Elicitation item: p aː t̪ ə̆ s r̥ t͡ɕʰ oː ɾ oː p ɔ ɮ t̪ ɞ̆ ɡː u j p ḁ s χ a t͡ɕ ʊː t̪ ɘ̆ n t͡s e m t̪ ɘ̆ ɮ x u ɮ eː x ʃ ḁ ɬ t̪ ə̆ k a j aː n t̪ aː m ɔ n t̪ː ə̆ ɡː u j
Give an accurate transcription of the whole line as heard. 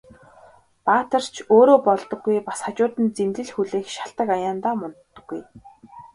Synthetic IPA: p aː t̪ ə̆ r̥ t͡ɕʰ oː ɾ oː p ɔ ɮ t̪ ɞ̆ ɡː u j p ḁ s χ a t͡ɕ ʊː t̪ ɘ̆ n t͡s e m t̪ ɘ̆ ɮ x u ɮ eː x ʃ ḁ ɬ t̪ ə̆ k a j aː n t̪ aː m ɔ n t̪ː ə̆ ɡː u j